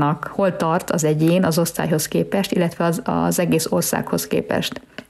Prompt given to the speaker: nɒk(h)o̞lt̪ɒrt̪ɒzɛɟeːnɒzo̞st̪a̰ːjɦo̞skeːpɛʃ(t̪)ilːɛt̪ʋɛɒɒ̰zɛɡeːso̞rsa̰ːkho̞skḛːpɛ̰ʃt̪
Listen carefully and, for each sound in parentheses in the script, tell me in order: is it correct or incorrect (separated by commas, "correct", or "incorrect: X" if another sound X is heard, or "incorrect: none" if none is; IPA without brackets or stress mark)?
correct, correct